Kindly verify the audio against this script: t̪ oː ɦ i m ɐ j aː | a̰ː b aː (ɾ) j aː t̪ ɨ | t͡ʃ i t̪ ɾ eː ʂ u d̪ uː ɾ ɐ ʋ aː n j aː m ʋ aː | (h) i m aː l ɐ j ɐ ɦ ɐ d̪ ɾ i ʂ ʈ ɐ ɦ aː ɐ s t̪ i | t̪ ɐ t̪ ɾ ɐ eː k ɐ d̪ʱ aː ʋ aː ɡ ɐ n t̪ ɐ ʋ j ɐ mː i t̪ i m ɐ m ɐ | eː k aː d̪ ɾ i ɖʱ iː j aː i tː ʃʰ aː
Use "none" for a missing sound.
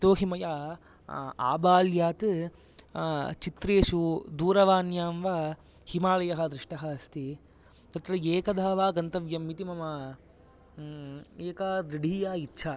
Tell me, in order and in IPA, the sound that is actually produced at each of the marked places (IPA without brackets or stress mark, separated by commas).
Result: l, h